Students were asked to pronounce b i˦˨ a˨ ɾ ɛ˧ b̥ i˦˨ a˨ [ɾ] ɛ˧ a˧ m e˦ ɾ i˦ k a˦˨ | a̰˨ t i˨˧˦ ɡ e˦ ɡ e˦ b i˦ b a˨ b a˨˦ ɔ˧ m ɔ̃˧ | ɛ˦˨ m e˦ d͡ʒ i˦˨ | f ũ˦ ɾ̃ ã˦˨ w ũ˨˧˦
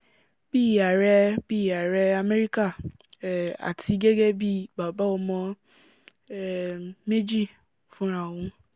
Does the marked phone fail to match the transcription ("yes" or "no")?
no